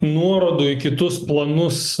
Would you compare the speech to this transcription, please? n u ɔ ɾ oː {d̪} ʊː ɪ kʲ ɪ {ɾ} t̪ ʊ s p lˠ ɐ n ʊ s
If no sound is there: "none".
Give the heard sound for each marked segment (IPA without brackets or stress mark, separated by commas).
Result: d̪, none